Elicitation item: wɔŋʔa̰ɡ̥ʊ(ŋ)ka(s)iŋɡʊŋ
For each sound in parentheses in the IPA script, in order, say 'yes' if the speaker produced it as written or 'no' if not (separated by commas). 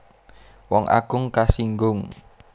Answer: yes, yes